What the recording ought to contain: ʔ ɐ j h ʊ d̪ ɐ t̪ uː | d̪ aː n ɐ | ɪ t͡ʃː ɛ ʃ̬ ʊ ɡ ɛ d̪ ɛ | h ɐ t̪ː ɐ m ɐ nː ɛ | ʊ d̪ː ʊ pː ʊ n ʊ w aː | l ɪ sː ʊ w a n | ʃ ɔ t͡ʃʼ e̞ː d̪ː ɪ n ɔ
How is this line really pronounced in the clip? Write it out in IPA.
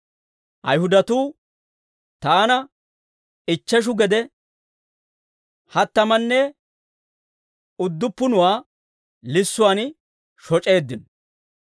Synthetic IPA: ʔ ɐ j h ʊ d̪ ɐ t̪ uː | t̪ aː n ɐ | ɪ t͡ʃː ɛ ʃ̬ ʊ ɡ ɛ d̪ ɛ | h ɐ t̪ː ɐ m ɐ nː ɛ | ʊ d̪ː ʊ pː ʊ n ʊ w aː | l ɪ sː ʊ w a n | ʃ ɔ t͡ʃʼ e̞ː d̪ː ɪ n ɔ